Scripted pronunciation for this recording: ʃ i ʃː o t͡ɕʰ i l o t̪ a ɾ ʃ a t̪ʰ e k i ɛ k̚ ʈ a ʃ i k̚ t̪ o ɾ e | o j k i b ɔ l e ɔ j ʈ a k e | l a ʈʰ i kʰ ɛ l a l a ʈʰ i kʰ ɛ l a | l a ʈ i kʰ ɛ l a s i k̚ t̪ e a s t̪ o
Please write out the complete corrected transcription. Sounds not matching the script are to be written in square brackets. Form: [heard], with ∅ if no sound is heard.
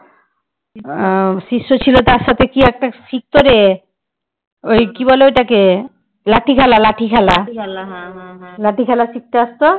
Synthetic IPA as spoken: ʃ i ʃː o t͡ɕʰ i l o t̪ a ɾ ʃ a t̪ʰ e k i ɛ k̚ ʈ a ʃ i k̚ t̪ o ɾ e | o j k i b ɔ l e [o] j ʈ a k e | l a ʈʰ i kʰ ɛ l a l a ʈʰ i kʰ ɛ l a | l a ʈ i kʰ ɛ l a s i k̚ t̪ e a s t̪ o

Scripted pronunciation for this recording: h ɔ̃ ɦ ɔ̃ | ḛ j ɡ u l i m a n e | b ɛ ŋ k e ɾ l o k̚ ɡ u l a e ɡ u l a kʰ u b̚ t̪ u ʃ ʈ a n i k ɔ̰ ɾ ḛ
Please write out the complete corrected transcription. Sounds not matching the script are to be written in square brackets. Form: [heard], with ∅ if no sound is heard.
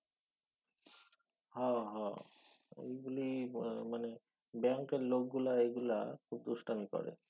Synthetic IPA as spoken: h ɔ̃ ɦ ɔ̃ | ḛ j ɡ u l i m a n e | b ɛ ŋ k e ɾ l o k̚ ɡ u l a e ɡ u l a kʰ u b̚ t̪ u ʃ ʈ a [m] i k ɔ̰ ɾ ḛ

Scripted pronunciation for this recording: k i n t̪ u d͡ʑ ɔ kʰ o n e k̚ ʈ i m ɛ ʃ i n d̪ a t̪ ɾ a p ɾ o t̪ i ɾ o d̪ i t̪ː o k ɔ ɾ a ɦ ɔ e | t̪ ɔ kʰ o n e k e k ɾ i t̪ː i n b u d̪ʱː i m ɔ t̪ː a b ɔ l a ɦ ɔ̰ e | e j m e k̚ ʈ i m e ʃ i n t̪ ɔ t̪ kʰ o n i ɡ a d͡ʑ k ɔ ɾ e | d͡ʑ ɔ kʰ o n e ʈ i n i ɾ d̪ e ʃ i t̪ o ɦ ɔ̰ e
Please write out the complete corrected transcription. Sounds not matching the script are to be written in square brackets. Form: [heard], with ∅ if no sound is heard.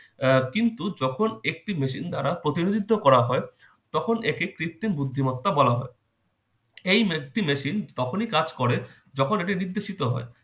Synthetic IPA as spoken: k i n t̪ u d͡ʑ ɔ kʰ o n e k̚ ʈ i m [e] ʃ i n d̪ a [∅] ɾ a p ɾ o t̪ i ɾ o d̪ i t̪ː o k ɔ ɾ a ɦ ɔ e | t̪ ɔ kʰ o n e k e k ɾ i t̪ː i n b u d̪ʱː i m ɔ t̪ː a b ɔ l a ɦ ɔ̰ e | e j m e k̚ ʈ i m e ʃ i n t̪ ɔ [∅] kʰ o n i [k] a d͡ʑ k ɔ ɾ e | d͡ʑ ɔ kʰ o n e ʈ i n i ɾ d̪ e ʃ i t̪ o ɦ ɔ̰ e

